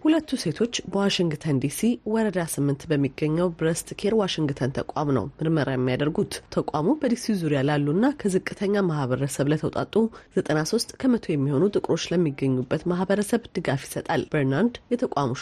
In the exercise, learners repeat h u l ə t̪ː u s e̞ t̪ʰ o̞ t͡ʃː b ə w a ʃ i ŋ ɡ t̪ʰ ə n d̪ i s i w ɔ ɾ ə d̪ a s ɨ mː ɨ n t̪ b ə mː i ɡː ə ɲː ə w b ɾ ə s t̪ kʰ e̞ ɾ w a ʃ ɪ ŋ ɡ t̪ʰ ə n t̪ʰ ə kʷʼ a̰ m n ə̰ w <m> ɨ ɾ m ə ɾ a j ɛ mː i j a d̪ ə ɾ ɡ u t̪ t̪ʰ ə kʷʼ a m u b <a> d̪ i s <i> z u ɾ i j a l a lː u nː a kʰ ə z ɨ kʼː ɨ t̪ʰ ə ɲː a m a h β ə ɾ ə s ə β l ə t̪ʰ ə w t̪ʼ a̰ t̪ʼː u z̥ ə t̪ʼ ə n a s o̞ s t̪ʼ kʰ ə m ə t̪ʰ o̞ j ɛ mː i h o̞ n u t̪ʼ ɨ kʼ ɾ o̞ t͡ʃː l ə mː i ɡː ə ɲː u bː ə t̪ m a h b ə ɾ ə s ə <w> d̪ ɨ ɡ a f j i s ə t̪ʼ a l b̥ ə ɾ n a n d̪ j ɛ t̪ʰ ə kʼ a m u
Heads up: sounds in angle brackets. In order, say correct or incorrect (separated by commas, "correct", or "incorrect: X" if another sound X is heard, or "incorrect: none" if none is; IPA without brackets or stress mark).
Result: correct, incorrect: ə, correct, incorrect: β